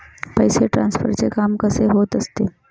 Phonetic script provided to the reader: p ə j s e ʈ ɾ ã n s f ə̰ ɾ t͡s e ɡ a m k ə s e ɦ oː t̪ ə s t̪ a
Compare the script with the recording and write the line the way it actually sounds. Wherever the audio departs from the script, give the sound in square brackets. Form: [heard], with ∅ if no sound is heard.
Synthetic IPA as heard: p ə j s e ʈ ɾ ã n s f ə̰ ɾ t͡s e [k] a m k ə s e ɦ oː t̪ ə s t̪ [e]